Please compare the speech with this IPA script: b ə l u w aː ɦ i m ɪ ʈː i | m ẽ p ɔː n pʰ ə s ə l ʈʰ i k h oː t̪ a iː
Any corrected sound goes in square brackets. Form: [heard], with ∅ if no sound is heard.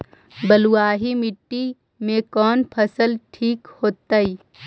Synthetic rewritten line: b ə l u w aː ɦ i m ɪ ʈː i | m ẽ [k] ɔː n pʰ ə s ə l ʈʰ [iː] k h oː t̪ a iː